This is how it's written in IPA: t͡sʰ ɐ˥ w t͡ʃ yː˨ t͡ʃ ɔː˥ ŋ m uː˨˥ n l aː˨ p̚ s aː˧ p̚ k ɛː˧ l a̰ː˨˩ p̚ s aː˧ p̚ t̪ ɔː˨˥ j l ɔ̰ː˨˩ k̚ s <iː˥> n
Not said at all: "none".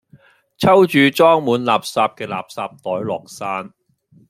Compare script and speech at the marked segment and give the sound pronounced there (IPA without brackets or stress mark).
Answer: aː˥